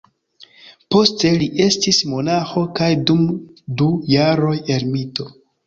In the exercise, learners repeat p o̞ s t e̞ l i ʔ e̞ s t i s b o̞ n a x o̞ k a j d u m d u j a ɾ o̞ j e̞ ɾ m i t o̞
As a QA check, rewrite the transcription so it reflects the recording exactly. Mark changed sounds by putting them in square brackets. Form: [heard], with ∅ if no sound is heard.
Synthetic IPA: p o̞ s t e̞ l i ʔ e̞ s t i s [m] o̞ n a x o̞ k a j d u m d u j a ɾ o̞ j e̞ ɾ m i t o̞